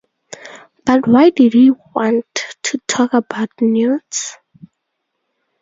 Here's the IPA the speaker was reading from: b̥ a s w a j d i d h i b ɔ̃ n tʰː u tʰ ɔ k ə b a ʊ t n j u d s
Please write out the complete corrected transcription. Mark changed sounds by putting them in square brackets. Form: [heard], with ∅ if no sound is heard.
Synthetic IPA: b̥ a [t] w a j d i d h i [w] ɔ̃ n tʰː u tʰ ɔ k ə b a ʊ t n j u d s